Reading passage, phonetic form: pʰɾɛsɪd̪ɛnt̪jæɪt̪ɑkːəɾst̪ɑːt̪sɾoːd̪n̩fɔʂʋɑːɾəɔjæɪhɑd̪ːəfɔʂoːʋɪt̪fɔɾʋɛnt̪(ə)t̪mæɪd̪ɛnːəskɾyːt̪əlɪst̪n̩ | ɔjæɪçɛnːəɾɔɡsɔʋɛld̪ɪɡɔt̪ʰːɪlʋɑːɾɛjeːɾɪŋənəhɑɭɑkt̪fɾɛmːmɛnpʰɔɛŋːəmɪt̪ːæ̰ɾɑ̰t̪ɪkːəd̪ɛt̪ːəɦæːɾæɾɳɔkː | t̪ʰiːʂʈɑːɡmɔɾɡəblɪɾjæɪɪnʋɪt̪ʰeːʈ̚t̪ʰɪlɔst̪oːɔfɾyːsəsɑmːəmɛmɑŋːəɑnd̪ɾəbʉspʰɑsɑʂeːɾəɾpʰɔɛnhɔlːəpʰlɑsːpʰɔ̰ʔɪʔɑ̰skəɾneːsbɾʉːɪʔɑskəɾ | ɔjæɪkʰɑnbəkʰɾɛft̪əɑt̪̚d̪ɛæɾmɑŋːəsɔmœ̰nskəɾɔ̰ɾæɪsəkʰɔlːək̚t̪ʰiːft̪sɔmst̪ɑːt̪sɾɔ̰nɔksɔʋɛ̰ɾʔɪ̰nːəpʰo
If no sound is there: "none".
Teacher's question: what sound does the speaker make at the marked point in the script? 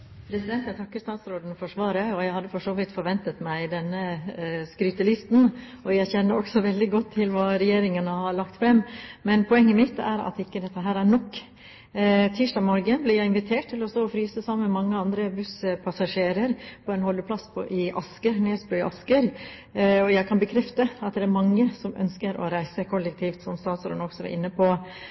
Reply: ə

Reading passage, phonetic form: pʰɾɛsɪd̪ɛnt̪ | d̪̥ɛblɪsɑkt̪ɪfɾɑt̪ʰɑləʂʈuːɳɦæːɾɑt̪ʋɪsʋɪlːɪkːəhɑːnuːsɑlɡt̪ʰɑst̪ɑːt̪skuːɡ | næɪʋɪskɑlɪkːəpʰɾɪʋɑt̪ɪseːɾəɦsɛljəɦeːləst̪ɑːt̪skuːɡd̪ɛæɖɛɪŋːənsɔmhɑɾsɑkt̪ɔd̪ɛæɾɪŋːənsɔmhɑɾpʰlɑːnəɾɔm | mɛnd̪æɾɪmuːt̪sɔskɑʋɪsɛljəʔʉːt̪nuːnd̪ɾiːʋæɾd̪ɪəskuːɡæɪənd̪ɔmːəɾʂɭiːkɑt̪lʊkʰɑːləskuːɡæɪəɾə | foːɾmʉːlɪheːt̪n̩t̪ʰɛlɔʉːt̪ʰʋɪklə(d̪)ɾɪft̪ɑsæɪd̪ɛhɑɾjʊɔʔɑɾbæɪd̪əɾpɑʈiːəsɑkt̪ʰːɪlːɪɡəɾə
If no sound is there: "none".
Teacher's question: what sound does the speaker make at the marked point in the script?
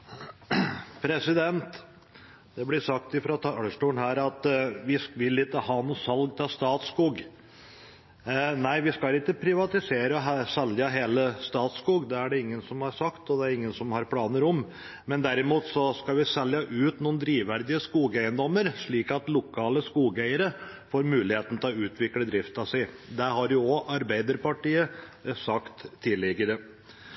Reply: d̪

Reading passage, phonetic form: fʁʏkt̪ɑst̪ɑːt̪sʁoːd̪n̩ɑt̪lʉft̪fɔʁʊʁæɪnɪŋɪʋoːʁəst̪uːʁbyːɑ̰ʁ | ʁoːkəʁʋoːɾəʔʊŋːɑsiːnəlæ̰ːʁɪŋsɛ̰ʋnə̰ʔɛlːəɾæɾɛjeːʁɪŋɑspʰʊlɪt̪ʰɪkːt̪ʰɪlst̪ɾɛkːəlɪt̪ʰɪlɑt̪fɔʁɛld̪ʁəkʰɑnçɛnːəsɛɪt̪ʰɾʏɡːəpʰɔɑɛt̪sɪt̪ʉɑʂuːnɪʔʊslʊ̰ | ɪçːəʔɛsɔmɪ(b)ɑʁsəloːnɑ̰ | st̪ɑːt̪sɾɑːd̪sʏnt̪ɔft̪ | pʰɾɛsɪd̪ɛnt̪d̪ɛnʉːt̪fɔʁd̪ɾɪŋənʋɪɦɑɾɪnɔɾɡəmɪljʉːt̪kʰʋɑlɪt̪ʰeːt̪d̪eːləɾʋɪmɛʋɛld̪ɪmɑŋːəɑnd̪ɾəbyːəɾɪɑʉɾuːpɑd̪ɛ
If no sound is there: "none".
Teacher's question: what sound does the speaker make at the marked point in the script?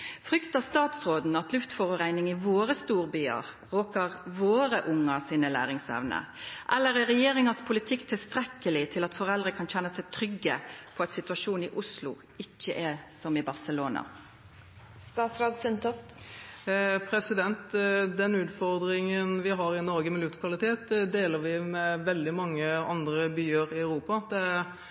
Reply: b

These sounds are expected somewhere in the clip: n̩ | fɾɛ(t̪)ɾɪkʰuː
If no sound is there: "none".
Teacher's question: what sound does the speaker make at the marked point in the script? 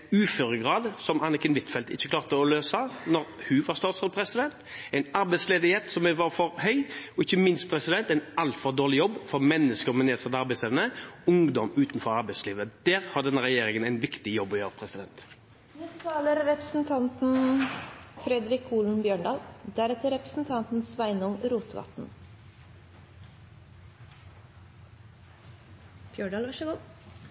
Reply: d̪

